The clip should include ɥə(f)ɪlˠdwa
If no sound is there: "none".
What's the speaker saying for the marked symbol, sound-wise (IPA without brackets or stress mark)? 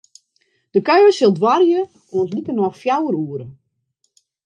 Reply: s